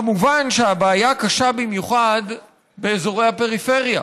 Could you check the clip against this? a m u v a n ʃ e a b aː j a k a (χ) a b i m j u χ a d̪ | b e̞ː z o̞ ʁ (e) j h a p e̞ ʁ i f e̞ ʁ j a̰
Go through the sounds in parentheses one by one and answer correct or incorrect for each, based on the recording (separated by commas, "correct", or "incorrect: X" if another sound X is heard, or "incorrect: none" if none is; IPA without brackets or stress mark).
incorrect: ʃ, correct